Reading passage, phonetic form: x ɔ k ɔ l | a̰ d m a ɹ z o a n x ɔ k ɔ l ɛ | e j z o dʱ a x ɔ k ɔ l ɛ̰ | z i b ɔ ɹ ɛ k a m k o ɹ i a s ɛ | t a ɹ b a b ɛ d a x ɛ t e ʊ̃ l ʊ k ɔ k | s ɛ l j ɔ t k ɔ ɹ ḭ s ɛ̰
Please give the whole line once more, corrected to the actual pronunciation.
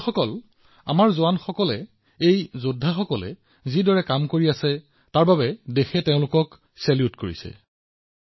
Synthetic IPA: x ɔ k ɔ l | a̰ m a ɹ z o a n x ɔ k ɔ l ɛ | e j z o dʱ a x ɔ k ɔ l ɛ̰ | z i d ɔ ɹ ɛ k a m k o ɹ i a s ɛ | t a ɹ b a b ɛ d e x ɛ t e ʊ̃ l ʊ k ɔ k | s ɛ l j u t k o ɹ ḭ s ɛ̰